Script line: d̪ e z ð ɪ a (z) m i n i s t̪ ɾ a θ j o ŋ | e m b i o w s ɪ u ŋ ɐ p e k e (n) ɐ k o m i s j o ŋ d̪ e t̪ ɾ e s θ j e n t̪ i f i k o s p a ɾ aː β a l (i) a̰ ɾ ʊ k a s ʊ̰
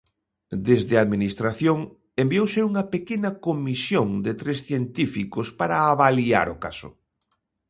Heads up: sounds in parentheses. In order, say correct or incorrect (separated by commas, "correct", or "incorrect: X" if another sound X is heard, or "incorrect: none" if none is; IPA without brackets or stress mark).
incorrect: ð, correct, correct